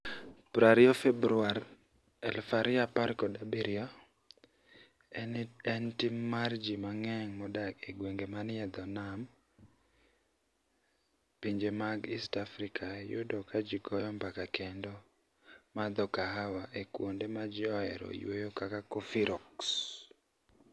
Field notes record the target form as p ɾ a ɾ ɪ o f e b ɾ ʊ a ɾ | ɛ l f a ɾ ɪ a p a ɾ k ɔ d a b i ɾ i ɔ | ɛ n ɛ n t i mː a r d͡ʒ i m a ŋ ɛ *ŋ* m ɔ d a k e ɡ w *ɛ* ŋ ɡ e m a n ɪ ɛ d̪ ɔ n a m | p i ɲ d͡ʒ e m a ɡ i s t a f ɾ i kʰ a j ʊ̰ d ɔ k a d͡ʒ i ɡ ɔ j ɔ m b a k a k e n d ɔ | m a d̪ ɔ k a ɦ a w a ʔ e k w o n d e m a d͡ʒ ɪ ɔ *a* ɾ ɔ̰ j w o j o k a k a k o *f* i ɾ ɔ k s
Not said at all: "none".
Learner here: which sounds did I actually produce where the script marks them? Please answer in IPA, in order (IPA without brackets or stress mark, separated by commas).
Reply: ŋ, e, ɛ, f